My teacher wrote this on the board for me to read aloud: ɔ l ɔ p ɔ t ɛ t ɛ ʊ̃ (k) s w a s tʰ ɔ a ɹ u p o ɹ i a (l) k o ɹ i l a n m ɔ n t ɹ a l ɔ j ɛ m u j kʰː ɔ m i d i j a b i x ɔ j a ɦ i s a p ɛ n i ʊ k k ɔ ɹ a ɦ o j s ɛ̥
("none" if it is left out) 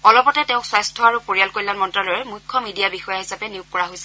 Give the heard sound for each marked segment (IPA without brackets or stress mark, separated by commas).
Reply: k, l